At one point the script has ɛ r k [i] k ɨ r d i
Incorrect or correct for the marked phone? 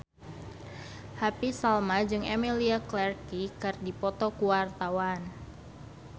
correct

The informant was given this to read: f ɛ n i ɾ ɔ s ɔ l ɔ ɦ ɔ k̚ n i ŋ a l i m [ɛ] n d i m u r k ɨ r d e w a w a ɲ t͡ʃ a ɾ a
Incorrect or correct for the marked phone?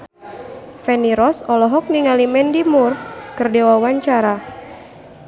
correct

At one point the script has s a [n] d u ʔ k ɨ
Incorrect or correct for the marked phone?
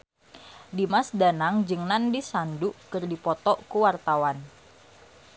correct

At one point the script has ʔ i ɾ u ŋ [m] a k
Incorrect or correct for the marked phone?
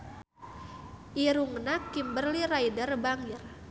incorrect: n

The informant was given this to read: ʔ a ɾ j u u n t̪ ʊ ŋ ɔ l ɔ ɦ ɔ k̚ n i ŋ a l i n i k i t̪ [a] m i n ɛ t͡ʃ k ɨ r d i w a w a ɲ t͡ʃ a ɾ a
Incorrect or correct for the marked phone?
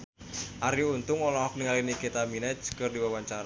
correct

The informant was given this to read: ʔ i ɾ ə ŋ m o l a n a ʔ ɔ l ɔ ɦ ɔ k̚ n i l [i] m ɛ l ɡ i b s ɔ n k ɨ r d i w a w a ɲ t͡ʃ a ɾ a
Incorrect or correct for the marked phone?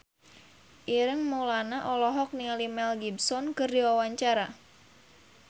correct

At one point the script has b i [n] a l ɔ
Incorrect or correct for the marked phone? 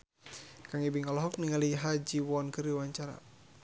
incorrect: ŋ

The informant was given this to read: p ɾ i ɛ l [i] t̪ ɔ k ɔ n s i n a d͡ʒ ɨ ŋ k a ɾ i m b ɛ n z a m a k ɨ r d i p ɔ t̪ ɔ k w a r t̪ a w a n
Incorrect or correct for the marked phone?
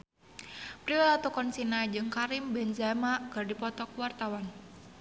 incorrect: a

